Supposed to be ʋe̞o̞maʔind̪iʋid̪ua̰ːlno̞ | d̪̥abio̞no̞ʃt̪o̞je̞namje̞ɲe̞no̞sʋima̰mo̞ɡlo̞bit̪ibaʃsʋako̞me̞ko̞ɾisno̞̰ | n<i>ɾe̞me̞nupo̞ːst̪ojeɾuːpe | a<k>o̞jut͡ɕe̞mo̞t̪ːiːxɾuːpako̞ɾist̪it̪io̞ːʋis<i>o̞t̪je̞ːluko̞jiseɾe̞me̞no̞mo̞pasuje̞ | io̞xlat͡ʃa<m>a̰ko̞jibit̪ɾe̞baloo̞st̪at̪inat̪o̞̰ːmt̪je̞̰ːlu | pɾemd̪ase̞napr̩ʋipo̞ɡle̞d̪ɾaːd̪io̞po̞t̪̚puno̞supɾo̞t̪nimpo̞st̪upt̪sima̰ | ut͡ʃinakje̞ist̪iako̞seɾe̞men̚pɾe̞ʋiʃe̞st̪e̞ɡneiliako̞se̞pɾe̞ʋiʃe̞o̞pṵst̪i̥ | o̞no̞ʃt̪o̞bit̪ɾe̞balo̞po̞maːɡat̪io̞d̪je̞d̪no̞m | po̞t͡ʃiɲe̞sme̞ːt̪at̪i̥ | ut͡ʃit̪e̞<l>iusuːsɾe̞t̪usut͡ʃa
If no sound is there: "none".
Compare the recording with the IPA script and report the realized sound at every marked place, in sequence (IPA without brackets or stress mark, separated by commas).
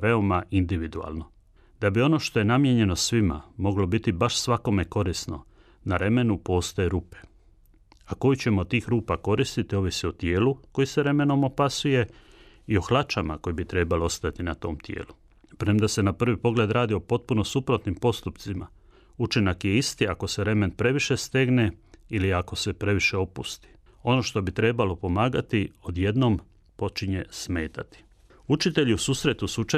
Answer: a, k, i, m, ʎ